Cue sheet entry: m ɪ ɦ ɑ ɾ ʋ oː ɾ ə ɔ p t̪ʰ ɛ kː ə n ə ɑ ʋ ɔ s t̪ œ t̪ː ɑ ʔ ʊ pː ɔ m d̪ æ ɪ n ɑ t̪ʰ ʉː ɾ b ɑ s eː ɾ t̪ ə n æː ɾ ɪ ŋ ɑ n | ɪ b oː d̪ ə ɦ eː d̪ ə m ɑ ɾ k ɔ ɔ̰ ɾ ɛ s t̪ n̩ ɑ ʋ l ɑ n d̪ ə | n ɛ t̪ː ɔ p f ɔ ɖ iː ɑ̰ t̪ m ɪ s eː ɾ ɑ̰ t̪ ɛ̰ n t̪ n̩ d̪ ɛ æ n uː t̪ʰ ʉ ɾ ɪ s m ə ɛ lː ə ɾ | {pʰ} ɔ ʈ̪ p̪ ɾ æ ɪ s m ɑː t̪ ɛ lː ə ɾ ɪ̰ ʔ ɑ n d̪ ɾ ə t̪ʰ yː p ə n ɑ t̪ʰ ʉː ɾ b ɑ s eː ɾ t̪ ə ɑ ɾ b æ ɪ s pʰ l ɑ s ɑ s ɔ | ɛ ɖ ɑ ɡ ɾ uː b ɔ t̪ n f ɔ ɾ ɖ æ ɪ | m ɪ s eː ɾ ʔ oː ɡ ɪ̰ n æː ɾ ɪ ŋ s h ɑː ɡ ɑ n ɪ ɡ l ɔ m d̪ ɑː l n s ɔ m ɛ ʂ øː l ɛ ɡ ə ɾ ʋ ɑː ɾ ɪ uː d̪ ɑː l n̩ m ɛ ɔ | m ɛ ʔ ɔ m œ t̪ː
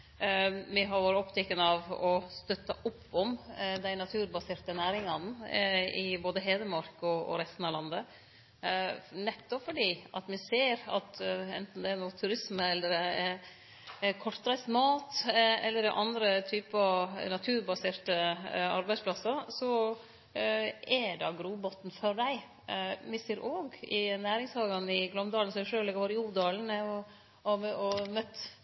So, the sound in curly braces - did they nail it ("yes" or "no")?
no